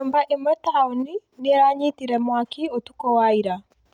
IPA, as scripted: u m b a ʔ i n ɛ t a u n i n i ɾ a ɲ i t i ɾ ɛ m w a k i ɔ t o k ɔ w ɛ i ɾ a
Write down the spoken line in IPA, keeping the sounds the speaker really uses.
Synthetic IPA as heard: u m b a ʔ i m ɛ t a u n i n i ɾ a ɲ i t i ɾ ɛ m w a k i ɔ t u k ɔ w a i ɾ a